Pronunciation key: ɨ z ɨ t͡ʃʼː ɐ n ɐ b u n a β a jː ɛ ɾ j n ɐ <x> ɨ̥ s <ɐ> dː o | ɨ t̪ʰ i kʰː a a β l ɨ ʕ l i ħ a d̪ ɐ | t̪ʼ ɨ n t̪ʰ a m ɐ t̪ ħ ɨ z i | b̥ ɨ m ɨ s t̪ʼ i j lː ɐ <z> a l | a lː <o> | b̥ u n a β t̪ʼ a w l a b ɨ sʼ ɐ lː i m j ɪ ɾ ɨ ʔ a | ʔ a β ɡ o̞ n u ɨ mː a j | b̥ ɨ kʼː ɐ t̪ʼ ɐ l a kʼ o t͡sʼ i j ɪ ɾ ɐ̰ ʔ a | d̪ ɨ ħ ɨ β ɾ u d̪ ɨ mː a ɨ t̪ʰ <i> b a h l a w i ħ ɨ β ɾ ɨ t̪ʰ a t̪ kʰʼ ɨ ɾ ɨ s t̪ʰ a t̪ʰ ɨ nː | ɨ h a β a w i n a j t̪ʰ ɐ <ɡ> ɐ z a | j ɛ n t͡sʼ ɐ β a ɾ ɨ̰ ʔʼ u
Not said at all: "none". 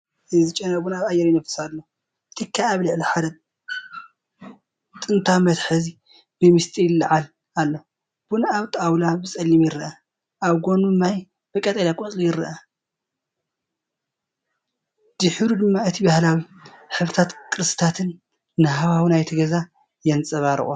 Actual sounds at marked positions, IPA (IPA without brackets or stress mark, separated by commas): f, a, ʕ, o, i, ɡ